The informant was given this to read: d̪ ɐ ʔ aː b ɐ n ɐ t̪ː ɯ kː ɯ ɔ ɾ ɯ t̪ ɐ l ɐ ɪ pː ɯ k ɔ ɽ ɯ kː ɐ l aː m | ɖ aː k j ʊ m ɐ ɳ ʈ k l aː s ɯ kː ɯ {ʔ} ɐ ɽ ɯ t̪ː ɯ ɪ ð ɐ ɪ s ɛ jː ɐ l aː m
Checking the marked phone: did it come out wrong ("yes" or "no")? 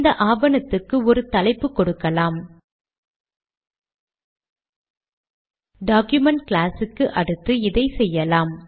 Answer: no